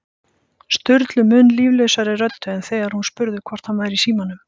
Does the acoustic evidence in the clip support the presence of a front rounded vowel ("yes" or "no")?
yes